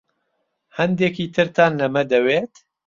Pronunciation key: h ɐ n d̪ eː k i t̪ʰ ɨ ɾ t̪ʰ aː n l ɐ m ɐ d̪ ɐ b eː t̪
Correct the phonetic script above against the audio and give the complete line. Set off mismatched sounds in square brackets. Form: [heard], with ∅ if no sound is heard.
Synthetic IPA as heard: h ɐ n d̪ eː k i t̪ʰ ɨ ɾ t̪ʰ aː n l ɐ m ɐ d̪ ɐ [w] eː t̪